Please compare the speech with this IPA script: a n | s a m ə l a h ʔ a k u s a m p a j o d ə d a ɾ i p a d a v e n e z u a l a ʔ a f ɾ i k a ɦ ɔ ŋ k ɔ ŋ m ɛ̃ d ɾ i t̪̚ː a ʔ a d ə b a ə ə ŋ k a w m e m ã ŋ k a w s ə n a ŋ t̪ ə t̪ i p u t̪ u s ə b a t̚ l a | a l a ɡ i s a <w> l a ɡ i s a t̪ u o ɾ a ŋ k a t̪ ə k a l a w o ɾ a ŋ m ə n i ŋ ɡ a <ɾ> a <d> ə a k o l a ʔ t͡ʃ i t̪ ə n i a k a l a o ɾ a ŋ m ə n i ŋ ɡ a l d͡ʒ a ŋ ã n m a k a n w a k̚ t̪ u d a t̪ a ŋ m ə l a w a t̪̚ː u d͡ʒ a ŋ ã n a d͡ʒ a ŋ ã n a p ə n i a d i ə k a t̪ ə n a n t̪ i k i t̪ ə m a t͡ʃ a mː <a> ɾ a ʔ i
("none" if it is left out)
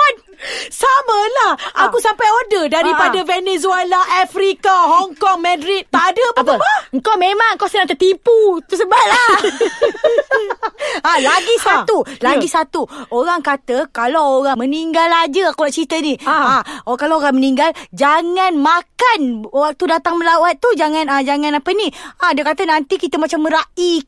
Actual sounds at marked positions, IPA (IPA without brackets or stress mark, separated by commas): u, l, d͡ʒ, ə